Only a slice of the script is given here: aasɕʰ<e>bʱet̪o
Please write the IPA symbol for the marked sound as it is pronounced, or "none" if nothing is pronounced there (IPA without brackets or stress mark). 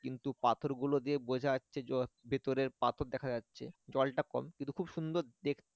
e